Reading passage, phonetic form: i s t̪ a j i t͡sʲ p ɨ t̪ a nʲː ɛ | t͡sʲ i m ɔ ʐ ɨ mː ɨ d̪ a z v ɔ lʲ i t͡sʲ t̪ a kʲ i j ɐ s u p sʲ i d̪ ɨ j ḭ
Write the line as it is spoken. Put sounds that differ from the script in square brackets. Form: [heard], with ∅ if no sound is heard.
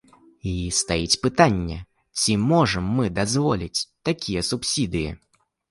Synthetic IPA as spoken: i s t̪ a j i t͡sʲ p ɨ t̪ a nʲː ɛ | t͡sʲ i m ɔ ʐ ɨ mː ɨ d̪ a z v ɔ lʲ i t͡sʲ t̪ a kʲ i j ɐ s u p sʲ i d̪ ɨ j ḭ